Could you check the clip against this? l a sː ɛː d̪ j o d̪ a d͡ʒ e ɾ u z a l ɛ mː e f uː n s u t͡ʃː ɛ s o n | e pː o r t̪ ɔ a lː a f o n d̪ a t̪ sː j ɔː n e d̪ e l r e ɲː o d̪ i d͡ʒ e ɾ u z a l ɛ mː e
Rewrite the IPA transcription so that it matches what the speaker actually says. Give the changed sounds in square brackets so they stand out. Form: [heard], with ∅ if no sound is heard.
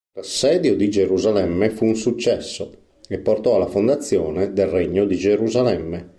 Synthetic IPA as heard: l a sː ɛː d̪ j o d̪ [i] d͡ʒ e ɾ u z a l ɛ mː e f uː n s u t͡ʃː ɛ [sː] o [∅] | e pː o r t̪ ɔ a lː a f o n d̪ a t̪ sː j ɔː n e d̪ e l r e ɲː o d̪ i d͡ʒ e ɾ u z a l ɛ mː e